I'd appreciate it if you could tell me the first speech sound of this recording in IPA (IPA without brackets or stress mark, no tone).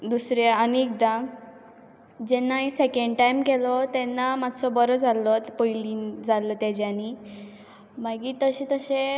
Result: d̪